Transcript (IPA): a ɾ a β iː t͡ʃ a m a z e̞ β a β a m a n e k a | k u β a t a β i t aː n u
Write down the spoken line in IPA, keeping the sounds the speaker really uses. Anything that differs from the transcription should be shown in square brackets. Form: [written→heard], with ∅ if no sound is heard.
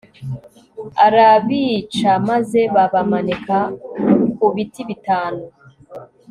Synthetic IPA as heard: a ɾ a β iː t͡ʃ a m a z e̞ β a β a m a n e k a | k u β [a→i] t [a→i] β i t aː n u